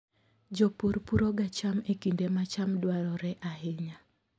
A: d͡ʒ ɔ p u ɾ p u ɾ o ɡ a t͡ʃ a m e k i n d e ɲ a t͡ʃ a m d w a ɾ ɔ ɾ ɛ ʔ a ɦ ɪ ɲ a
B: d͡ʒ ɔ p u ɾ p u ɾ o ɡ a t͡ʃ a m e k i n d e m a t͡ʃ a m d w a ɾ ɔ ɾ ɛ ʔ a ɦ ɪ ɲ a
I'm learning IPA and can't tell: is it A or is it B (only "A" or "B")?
B